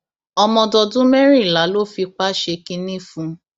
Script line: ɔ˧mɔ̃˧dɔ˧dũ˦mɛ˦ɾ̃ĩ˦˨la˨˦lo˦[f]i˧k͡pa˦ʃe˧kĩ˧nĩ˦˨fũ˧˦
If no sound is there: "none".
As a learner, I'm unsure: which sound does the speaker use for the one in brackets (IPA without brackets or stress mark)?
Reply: f